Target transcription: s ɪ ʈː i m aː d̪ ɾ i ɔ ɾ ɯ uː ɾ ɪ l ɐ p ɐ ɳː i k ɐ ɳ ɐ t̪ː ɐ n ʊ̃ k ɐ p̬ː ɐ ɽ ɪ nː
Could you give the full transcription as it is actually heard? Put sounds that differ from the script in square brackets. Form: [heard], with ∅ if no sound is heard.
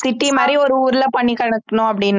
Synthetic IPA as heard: s ɪ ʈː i m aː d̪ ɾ i ɔ ɾ ɯ uː ɾ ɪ l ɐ p ɐ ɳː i k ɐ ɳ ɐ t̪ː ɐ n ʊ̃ [∅] ɐ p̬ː ɐ ɽ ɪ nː